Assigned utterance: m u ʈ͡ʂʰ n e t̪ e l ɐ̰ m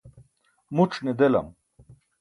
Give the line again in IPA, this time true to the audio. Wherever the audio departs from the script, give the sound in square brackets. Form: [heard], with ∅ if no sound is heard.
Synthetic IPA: m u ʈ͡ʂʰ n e [d̪] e l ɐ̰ m